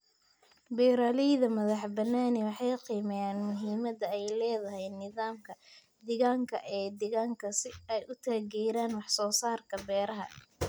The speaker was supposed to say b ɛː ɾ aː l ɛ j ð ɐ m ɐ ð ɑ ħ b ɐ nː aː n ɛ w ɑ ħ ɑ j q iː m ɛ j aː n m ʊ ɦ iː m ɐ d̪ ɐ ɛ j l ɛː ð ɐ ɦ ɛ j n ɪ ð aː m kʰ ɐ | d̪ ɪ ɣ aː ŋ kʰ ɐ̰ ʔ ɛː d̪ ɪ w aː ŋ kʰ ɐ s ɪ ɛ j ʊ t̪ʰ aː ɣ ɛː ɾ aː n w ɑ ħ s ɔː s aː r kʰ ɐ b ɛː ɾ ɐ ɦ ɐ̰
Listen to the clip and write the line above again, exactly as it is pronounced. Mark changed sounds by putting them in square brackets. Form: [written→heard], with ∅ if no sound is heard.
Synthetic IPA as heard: b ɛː ɾ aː l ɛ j ð ɐ m ɐ ð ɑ ħ b ɐ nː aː n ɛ w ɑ ħ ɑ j q iː m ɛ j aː n m ʊ ɦ iː m ɐ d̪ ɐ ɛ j l ɛː ð ɐ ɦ ɛ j n ɪ ð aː m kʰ ɐ | d̪ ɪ ɣ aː ŋ kʰ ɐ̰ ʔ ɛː d̪ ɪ [w→ɣ] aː ŋ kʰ ɐ s ɪ ɛ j ʊ t̪ʰ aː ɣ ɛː ɾ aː n w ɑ ħ s ɔː s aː r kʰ ɐ b ɛː ɾ ɐ ɦ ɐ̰